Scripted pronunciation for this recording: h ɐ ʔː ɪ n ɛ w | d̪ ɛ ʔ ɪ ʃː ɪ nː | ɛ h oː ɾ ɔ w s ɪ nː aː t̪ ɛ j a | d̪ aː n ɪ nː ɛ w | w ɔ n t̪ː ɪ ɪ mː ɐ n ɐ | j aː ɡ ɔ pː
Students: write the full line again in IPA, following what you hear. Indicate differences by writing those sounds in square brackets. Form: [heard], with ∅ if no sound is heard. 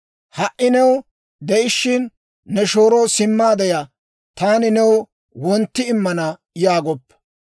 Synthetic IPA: h ɐ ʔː ɪ n ɛ w | d̪ ɛ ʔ ɪ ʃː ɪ nː | ɛ [ʃ] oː ɾ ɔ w s ɪ [mː] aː [d̪] ɛ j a | [t̪] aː n ɪ [n] ɛ w | w ɔ n t̪ː ɪ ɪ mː ɐ n ɐ | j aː ɡ ɔ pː